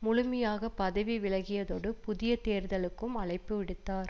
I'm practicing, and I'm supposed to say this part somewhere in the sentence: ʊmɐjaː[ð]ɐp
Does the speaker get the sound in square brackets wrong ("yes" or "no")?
yes